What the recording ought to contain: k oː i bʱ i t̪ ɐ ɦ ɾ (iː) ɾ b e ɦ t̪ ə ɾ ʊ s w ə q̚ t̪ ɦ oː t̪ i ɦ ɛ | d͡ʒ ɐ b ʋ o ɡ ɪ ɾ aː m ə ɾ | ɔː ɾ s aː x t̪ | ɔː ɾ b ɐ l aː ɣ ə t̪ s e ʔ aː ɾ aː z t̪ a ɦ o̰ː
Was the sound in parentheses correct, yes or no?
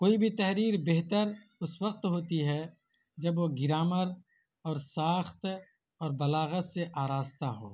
yes